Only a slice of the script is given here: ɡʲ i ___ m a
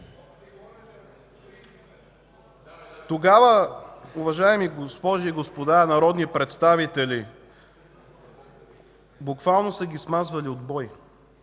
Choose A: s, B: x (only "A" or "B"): A